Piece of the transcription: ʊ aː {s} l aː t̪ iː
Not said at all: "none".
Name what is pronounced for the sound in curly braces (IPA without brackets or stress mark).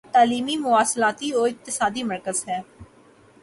s